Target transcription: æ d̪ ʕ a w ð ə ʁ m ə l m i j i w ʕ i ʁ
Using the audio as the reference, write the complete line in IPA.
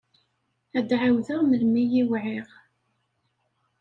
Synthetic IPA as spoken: æ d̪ ʕ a w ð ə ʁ m ə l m i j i w ʕ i ʁ